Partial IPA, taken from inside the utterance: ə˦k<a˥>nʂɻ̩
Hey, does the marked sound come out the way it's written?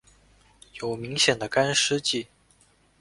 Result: yes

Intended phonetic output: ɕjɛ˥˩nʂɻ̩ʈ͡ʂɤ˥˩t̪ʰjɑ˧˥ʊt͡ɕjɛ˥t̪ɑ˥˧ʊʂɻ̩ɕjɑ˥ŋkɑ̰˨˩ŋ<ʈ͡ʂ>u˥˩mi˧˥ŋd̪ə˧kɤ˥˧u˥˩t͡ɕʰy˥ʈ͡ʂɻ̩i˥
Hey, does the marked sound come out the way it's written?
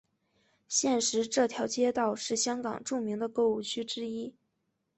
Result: yes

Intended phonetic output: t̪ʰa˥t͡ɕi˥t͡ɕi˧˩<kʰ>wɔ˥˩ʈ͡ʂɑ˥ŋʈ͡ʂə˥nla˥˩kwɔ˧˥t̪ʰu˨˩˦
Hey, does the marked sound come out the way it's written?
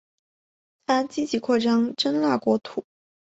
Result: yes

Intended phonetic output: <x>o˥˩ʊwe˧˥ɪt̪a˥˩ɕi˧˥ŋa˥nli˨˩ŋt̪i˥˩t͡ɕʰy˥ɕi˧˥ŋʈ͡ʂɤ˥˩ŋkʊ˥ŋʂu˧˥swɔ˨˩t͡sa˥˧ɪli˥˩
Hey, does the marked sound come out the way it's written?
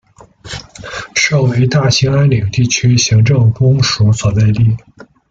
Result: no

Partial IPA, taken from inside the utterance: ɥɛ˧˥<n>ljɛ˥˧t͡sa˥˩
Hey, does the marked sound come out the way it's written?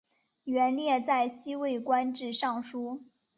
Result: yes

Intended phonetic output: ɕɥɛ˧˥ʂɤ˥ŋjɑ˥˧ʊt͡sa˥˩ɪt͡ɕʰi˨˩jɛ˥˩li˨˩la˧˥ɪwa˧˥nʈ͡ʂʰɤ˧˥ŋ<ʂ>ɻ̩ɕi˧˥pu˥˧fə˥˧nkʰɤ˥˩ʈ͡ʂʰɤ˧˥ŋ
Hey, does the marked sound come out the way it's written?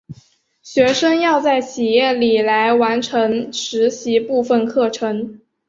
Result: yes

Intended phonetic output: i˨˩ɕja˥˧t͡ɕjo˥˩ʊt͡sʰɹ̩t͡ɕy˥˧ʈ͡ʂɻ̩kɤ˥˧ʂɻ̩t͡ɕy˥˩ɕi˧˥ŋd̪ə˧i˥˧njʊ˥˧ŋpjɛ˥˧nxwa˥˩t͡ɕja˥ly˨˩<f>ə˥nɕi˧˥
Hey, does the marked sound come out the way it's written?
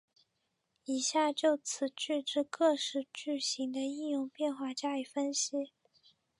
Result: yes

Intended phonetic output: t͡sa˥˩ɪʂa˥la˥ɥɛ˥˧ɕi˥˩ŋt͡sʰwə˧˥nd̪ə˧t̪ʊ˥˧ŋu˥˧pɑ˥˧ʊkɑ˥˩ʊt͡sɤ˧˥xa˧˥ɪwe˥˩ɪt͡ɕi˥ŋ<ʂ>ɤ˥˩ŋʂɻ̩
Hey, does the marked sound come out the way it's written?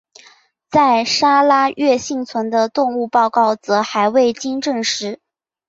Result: no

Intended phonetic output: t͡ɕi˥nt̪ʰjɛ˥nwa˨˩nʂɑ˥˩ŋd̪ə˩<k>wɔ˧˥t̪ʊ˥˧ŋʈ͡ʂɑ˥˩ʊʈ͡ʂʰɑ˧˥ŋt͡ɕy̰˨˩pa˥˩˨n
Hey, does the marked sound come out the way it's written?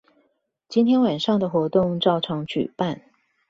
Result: no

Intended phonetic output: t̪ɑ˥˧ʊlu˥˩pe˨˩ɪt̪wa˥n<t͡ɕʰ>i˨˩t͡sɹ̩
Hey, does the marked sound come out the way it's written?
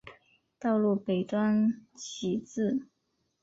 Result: yes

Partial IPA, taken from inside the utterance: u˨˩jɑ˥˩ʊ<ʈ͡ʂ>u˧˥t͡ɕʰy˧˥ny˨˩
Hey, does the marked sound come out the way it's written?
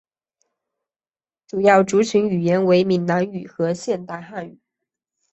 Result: yes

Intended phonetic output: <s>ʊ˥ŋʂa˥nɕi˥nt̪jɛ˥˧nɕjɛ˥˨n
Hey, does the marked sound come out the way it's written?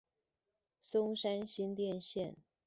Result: yes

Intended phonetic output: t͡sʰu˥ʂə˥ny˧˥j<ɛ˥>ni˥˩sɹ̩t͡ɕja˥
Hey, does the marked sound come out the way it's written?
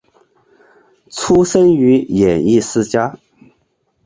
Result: no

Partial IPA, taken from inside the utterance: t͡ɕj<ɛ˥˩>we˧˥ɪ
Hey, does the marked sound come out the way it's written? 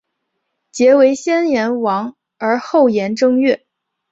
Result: no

